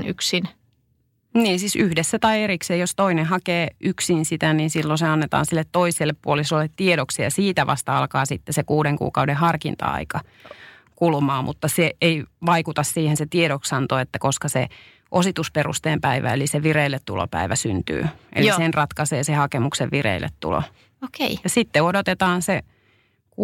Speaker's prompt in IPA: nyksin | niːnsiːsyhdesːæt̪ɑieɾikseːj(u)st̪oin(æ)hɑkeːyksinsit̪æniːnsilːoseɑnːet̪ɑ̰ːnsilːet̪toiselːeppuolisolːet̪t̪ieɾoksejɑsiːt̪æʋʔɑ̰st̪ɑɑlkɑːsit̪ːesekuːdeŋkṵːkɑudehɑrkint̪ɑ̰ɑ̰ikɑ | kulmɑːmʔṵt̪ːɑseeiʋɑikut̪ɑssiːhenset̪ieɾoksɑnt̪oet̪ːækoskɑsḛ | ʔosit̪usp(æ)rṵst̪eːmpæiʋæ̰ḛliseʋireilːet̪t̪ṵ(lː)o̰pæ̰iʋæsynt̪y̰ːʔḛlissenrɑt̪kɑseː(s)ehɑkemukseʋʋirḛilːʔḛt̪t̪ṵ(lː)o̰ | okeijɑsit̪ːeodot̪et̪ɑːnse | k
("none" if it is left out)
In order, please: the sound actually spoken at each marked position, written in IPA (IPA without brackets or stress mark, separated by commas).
o, e, e, l, s, l